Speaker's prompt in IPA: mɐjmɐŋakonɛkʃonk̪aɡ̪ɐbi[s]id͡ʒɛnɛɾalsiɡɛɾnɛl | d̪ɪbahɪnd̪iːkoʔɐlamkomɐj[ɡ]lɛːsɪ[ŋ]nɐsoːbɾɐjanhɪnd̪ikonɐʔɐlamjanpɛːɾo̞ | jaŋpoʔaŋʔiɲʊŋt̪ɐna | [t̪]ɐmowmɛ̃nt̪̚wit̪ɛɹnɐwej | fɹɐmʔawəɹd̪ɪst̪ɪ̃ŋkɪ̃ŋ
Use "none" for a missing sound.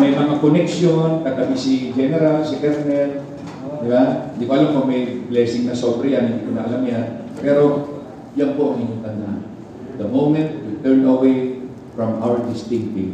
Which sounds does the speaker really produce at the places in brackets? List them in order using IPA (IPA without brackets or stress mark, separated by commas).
s, b, ŋ, d̪